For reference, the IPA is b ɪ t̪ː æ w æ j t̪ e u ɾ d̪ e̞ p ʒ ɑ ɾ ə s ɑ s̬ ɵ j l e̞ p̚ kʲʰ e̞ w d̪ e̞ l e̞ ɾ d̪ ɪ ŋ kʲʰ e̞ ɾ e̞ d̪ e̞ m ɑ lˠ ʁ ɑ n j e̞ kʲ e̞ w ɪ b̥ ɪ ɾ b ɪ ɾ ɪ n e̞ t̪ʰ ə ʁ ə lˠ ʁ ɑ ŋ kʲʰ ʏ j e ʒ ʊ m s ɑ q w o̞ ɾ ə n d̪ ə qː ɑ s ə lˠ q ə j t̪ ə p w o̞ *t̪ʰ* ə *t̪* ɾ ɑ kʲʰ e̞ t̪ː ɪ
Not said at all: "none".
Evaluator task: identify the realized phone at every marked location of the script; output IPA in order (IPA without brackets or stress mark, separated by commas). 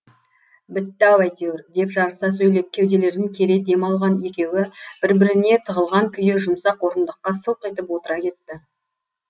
t̪, none